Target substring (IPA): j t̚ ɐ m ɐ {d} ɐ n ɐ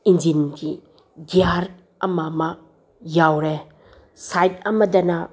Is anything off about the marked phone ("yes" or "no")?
no